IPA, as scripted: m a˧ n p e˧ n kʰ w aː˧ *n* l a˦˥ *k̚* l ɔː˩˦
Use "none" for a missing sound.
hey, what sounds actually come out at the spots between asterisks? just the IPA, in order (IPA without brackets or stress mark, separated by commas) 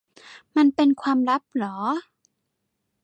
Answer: m, p̚